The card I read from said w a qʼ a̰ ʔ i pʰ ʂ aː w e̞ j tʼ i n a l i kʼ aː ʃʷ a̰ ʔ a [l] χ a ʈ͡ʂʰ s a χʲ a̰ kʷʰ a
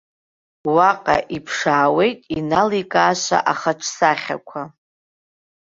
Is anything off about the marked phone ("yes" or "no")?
yes